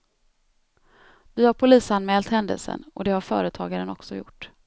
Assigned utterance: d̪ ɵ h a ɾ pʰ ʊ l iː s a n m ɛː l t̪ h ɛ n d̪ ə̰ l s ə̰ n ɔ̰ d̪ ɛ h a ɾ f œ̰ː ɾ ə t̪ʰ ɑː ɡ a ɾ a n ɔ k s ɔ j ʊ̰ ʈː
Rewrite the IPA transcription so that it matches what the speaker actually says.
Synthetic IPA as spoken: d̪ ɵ h a ɾ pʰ ʊ l iː s a n m ɛː l t̪ h ɛ n d̪ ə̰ l s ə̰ n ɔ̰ d̪ ɛ h a ɾ f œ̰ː ɾ ə t̪ʰ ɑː ɡ a ɾ ə n ɔ k s ɔ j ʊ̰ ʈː